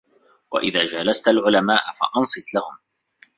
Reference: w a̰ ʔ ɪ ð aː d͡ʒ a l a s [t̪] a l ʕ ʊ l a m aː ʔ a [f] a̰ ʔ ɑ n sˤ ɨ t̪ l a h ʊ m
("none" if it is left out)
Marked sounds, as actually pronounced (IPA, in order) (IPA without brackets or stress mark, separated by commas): t̪, f